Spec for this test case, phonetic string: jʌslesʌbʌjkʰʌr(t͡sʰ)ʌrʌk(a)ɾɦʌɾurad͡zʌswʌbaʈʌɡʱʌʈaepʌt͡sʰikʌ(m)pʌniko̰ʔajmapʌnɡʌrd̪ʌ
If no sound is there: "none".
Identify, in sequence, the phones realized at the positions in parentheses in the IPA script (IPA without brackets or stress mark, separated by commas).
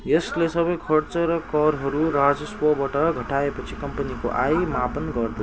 t͡s, ʌ, m